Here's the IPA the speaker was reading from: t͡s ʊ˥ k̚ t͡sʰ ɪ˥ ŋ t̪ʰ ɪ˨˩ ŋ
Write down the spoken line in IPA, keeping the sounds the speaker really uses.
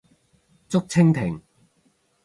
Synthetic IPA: t͡s ʊ˥ k̚ t͡sʰ ɪ˥ ŋ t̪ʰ ɪ˨˩ ŋ